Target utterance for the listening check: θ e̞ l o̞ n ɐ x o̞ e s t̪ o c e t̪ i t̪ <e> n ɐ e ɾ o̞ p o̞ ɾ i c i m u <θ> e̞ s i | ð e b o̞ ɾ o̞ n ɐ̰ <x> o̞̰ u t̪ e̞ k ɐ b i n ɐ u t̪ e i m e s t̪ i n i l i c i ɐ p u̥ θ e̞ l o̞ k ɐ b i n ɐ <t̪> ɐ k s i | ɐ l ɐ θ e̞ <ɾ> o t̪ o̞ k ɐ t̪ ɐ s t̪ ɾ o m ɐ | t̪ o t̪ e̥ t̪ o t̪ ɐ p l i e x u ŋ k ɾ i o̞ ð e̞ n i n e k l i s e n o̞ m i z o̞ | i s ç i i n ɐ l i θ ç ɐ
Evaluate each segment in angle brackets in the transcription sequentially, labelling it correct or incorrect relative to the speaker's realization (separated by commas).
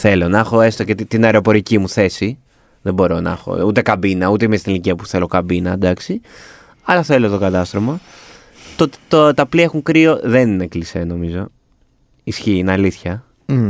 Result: incorrect, correct, correct, incorrect, incorrect